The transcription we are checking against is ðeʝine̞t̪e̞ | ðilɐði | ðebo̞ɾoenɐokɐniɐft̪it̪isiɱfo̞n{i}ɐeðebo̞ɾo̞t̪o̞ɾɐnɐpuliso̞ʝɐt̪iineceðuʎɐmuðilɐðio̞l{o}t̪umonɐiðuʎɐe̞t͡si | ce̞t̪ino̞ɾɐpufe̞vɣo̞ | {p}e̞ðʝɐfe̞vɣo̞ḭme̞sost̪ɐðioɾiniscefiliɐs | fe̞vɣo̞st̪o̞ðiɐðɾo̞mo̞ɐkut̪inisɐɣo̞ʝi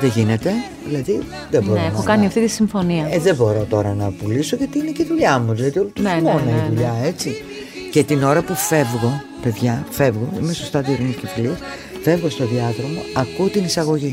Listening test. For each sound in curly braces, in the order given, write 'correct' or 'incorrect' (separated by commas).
correct, incorrect, correct